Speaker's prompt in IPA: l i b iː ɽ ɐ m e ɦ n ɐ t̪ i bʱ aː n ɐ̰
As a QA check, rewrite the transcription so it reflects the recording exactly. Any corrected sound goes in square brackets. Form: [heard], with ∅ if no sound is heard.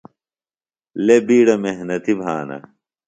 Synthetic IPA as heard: l [e] b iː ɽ ɐ m e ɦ n ɐ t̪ i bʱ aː n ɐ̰

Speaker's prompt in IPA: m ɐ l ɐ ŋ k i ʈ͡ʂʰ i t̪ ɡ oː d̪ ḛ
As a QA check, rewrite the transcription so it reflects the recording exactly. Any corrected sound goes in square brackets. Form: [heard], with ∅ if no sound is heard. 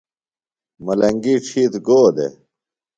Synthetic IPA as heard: m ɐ l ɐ ŋ [ɡ] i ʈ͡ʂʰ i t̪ ɡ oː d̪ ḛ

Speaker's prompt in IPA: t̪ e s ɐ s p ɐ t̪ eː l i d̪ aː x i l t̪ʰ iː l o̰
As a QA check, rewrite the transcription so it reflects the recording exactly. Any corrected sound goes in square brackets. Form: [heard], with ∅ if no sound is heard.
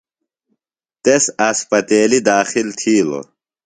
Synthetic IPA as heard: t̪ e s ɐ s p ɐ t̪ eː l i d̪ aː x i l t̪ʰ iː l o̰

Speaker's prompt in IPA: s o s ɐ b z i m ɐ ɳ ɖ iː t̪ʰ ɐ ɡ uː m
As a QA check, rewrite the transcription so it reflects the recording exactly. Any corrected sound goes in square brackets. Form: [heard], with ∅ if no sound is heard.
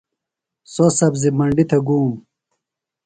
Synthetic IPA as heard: s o s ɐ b z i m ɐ ɳ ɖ [i] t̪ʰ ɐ ɡ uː m

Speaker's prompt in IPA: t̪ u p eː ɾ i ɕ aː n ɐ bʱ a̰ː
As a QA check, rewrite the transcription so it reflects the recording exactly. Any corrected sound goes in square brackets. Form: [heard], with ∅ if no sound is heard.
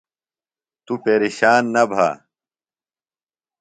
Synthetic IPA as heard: t̪ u p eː ɾ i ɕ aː [nː] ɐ bʱ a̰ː

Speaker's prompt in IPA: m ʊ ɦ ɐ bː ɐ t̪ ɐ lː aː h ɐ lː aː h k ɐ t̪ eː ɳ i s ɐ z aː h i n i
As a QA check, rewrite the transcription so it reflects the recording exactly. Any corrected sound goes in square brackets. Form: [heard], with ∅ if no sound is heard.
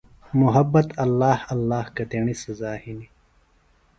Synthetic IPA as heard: m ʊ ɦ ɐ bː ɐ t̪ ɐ lː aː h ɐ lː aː h k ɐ t̪ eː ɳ i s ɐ z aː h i n i

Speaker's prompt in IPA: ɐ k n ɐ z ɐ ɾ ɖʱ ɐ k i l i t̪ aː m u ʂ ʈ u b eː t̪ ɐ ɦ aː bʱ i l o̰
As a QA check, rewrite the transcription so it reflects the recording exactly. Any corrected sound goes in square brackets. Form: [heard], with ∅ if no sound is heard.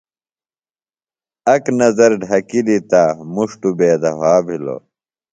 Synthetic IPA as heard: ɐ k n ɐ z ɐ ɾ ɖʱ ɐ k i l i t̪ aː m u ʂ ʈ u b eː [d̪] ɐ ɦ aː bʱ i l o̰

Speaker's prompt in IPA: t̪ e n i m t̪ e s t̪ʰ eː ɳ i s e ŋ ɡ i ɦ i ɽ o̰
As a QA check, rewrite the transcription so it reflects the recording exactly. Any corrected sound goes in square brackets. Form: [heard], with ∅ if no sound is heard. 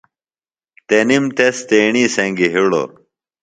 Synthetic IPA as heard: t̪ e n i m t̪ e s [t̪] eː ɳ i s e ŋ ɡ i ɦ i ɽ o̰

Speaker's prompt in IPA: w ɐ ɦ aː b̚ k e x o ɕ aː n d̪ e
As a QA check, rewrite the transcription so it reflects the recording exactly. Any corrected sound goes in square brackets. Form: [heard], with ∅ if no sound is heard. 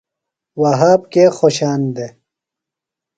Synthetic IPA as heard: w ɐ ɦ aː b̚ k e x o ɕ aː n d̪ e

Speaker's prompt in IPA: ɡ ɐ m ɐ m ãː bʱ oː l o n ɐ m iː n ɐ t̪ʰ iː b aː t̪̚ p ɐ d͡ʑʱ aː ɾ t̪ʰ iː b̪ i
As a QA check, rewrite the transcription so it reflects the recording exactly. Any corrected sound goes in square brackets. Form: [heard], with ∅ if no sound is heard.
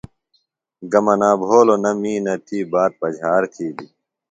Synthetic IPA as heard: ɡ ɐ m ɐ [n] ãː bʱ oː l o n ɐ m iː n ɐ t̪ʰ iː b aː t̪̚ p ɐ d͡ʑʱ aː ɾ t̪ʰ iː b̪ i

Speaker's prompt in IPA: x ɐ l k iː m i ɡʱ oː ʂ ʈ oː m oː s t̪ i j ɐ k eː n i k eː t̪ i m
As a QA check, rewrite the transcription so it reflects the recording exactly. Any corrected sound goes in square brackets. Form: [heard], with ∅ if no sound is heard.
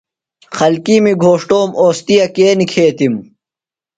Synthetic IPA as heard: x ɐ l k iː m i ɡʱ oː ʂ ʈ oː m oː s t̪ i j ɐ k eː n i [kʰ] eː t̪ i m

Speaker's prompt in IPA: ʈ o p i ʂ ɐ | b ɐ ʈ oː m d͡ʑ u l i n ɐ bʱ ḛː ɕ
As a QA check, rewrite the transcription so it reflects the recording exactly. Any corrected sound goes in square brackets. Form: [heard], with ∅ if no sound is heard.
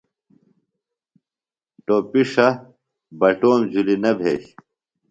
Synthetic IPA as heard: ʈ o p i ʂ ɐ | b ɐ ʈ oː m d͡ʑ u l i n ɐ bʱ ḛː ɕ

